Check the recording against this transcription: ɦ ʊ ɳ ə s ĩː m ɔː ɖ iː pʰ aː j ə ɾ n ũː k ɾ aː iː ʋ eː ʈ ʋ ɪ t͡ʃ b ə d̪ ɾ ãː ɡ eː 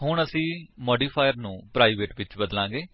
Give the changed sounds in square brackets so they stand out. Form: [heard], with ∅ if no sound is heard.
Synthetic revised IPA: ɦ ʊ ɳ ə s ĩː m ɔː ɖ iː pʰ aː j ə ɾ n ũː [p] ɾ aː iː ʋ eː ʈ ʋ ɪ t͡ʃ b ə d̪ [l] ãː ɡ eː